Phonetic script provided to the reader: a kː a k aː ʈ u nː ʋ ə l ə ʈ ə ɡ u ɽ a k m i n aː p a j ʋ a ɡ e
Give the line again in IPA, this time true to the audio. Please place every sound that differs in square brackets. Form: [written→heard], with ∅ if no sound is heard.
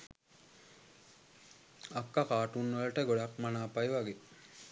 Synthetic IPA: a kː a k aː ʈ u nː ʋ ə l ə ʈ ə ɡ [u→o] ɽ a k m [i→a] n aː p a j ʋ a ɡ e